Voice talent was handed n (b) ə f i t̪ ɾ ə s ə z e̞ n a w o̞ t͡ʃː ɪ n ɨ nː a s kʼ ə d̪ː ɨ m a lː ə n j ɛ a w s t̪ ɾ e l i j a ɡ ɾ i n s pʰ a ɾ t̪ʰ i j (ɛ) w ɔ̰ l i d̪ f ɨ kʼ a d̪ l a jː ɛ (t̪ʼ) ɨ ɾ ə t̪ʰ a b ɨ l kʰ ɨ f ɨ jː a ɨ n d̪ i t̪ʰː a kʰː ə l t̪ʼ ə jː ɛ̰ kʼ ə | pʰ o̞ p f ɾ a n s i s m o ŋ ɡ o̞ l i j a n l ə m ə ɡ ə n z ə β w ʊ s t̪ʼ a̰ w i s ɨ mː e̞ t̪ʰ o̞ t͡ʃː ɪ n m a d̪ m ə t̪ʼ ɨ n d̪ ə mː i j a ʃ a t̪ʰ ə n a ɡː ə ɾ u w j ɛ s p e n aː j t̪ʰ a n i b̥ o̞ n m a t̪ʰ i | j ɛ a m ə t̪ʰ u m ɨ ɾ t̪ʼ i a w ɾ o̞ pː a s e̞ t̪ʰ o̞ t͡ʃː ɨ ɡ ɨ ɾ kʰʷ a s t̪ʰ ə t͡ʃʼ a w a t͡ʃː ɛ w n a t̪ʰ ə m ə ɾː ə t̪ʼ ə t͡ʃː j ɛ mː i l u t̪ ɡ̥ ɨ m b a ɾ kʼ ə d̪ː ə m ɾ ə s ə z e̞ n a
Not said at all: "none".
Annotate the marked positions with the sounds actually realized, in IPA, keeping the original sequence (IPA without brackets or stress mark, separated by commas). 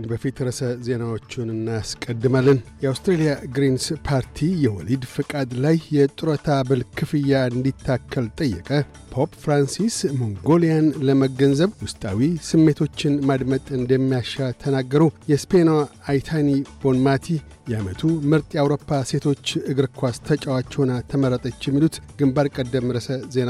b, ɛ, t̪ʼ